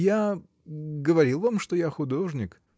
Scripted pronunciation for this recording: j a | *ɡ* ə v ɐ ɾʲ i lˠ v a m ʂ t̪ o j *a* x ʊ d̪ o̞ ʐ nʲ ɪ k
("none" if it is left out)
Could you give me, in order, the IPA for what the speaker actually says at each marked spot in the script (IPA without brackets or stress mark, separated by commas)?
ɡ, a